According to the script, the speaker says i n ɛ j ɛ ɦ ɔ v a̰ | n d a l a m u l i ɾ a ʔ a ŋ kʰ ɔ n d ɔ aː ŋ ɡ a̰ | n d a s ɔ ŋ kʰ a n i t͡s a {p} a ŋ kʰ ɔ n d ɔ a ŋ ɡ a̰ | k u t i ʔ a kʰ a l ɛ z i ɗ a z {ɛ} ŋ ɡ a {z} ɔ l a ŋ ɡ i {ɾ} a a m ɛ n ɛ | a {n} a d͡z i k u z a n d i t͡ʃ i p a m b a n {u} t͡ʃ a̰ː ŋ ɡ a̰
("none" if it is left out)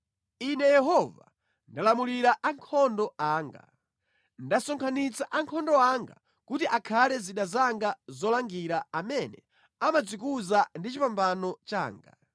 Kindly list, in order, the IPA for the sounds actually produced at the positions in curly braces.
ʔ, a, z, ɾ, m, ɔ

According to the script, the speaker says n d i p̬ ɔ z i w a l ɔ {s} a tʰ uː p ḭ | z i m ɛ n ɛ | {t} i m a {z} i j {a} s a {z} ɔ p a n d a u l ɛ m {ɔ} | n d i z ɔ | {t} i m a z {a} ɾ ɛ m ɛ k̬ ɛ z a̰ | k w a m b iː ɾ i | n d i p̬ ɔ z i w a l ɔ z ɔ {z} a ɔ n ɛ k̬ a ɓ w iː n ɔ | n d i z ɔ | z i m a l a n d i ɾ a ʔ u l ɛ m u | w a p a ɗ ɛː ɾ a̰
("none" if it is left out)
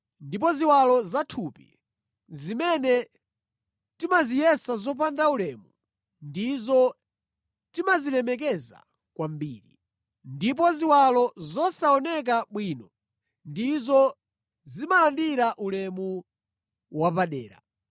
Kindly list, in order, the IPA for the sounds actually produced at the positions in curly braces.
z, t, z, ɛ, z, u, t, i, s

